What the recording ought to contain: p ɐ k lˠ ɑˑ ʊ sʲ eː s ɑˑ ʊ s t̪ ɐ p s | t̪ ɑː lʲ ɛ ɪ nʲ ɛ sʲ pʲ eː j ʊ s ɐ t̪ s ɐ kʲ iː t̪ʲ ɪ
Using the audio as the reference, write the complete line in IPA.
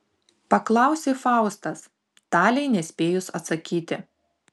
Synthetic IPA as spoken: p ɐ k lˠ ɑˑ ʊ sʲ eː f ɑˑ ʊ s t̪ ɐ s | t̪ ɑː lʲ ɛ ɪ nʲ ɛ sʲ pʲ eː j ʊ s ɐ t̪ s ɐ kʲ iː t̪ʲ ɪ